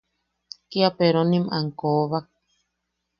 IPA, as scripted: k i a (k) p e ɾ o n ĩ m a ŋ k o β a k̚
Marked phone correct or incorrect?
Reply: incorrect